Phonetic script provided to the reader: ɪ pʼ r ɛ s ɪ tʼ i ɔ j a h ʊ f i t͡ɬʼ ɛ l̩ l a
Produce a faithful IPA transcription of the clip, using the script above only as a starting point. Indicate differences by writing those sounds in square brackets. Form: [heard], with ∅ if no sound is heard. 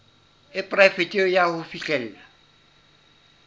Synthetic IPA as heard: ɪ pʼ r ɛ [f] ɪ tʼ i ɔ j a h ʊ f i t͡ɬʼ ɛ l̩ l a